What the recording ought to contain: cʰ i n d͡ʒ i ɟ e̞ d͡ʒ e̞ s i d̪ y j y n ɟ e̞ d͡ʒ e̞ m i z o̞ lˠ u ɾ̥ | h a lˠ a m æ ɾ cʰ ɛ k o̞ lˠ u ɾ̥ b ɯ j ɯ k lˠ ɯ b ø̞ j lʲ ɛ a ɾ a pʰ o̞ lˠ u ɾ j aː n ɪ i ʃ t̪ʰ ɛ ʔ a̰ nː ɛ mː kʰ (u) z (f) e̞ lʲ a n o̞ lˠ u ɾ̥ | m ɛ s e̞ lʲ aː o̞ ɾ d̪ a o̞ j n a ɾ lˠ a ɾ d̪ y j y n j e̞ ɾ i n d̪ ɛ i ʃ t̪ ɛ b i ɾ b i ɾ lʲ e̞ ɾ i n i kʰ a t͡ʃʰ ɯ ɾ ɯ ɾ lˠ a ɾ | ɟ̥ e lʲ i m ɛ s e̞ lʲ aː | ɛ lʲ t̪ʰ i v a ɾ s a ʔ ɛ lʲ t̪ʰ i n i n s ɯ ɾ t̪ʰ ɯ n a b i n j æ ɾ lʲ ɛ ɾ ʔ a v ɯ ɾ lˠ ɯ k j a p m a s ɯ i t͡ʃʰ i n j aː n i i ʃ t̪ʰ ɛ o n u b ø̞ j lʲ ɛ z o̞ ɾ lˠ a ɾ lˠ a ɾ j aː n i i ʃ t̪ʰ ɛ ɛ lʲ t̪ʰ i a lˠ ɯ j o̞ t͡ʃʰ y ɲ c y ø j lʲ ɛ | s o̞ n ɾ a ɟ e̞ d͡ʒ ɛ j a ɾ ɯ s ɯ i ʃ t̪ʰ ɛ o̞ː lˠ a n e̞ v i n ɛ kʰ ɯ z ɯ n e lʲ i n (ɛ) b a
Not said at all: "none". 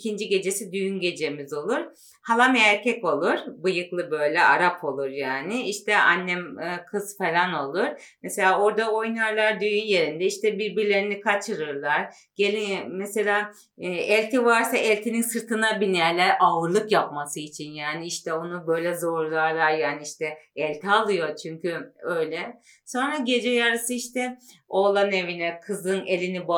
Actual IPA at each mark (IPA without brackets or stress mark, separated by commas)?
ɯ, f, i